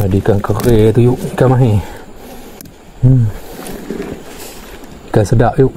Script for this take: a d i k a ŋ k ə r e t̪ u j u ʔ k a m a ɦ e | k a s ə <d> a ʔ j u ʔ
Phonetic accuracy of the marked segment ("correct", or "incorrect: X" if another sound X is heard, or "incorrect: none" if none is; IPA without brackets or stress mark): correct